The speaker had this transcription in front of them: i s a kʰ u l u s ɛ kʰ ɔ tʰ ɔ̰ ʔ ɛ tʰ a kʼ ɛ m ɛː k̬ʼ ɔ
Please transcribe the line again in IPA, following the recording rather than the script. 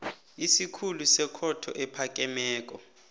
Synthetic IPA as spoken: i s i kʰ u l u s ɛ kʰ ɔ tʰ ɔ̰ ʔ ɛ pʰ a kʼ ɛ m ɛː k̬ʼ ɔ

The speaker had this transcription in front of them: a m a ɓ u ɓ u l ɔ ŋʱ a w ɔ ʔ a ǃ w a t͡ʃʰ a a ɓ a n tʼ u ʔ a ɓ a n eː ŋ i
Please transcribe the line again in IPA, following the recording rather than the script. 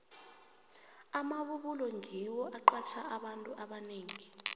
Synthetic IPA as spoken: a m a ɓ u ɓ u l ɔ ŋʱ i w ɔ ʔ a ǃ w a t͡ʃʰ a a ɓ a n tʼ u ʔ a ɓ a n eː ŋ i

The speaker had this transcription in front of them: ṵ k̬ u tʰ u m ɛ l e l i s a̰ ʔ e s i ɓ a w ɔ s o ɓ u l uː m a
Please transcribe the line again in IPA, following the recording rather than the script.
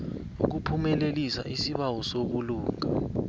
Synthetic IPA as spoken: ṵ k̬ u pʰ u m ɛ l e l i s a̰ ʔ i s i ɓ a w ɔ s o ɓ u l uː ŋ a

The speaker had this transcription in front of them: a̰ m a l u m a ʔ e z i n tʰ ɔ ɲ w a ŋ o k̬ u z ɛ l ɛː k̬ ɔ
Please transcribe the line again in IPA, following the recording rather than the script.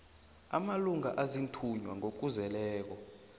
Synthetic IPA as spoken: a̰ m a l u ŋ a ʔ a z i n tʰ u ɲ w a ŋ o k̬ u z ɛ l ɛː k̬ ɔ

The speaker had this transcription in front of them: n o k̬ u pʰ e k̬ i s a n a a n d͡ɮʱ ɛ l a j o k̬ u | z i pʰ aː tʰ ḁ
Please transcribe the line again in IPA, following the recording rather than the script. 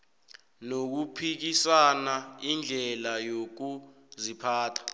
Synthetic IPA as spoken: n o k̬ u pʰ i k̬ i s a n a i n d͡ɮʱ ɛ l a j o k̬ u | z i pʰ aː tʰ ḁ

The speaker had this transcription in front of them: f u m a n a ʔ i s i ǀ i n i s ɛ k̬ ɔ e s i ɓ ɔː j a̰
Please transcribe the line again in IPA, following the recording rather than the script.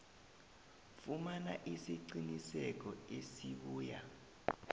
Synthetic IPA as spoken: f u m a n a ʔ i s i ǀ i n i s ɛ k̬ ɔ e s i ɓ uː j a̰

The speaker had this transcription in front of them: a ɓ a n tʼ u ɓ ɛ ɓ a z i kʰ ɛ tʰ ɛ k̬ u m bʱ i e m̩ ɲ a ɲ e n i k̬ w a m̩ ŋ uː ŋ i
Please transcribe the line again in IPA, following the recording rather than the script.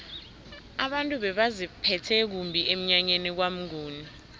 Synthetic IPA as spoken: a ɓ a n tʼ u ɓ ɛ ɓ a z i pʰ ɛ tʰ ɛ k̬ u m bʱ i e m̩ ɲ a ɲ e n i k̬ w a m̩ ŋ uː n i

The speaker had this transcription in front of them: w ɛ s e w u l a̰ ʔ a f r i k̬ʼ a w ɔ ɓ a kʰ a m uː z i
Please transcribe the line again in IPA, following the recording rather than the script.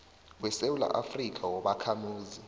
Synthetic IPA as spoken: w ɛ s e w u l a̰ ʔ a f r i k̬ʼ a w ɔ ɓ a kʰ a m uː z i

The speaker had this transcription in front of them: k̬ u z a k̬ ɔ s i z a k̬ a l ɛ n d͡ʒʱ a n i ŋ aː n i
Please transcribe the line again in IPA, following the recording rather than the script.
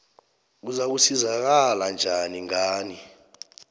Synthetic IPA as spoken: k̬ u z a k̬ u s i z a k̬ a l a n d͡ʒʱ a n i ŋ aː n i

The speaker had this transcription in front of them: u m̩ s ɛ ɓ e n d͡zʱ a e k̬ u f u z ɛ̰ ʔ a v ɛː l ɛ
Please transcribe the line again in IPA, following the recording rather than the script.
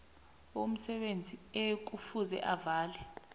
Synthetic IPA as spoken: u m̩ s ɛ ɓ e n d͡zʱ i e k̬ u f u z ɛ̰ ʔ a v aː l ɛ

